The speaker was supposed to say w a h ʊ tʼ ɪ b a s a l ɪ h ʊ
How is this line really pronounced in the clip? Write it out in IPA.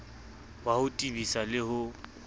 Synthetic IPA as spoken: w a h ʊ tʼ i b i s a l ɪ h ʊ